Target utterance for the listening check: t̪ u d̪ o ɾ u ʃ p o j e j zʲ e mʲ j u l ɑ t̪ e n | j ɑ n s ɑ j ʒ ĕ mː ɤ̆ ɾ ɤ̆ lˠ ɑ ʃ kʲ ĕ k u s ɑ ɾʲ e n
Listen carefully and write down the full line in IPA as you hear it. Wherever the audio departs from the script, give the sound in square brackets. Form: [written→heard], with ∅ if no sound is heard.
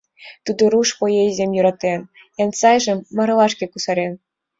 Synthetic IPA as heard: t̪ u d̪ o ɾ u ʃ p o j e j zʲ e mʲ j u [l→ɾ] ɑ t̪ e n | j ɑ n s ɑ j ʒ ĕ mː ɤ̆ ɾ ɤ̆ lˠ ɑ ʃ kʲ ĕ k u s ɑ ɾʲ e n